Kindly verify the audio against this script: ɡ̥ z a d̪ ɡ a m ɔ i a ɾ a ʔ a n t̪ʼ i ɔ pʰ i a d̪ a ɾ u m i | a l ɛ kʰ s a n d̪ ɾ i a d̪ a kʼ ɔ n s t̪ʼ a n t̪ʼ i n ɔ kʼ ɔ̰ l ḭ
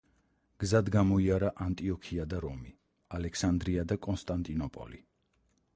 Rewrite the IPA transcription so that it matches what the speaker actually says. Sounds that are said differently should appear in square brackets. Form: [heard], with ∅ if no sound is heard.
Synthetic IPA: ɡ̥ z a d̪ ɡ a m ɔ i a ɾ a ʔ a n t̪ʼ i ɔ [kʰ] i a d̪ a ɾ [ɔ] m i | a l ɛ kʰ s a n d̪ ɾ i a d̪ a kʼ ɔ n s t̪ʼ a n t̪ʼ i n ɔ [pʼ] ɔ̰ l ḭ